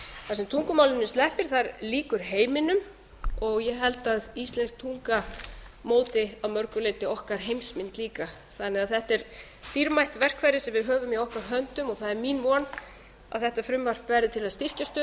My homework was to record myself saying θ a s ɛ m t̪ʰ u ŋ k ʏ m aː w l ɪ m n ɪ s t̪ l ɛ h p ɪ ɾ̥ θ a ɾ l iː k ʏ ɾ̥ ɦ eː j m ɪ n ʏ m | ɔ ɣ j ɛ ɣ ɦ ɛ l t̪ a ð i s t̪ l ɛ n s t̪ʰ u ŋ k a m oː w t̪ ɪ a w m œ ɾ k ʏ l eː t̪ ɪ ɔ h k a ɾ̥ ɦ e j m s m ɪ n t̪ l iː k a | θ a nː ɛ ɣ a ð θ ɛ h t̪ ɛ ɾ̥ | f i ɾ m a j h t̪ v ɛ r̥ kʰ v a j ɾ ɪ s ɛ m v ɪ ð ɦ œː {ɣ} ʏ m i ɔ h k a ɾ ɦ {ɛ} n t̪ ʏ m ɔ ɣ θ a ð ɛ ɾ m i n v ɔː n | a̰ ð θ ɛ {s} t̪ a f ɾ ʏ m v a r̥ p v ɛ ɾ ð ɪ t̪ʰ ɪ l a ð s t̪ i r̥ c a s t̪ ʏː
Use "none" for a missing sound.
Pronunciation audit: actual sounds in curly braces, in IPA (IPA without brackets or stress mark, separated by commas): v, œ, h